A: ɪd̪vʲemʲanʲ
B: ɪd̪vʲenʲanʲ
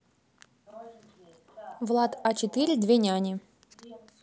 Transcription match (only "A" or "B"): B